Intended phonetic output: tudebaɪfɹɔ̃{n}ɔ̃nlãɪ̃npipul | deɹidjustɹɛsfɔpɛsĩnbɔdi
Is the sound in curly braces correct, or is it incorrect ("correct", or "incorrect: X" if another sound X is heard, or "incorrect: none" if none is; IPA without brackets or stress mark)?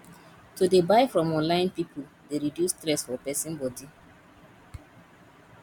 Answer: incorrect: m